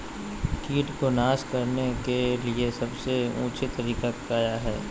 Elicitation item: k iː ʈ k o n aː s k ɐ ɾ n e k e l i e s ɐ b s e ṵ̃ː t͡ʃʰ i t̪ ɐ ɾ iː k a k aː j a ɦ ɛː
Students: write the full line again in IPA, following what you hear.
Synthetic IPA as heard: k iː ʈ k o n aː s k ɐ ɾ n e k e l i e s ɐ b s e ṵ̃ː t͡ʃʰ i t̪ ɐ ɾ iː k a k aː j a ɦ ɛː